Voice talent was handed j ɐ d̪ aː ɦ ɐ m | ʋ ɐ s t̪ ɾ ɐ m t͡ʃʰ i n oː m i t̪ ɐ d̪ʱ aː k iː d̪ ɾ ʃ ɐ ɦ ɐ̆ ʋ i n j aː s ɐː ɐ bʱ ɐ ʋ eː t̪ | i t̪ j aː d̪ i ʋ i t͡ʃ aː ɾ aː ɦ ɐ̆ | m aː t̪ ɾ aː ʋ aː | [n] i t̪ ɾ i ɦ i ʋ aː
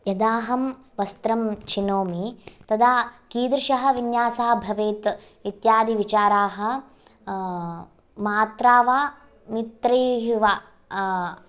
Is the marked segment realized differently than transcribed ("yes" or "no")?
yes